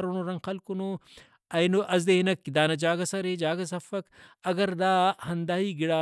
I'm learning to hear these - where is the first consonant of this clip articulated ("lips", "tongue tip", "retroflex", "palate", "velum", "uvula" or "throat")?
tongue tip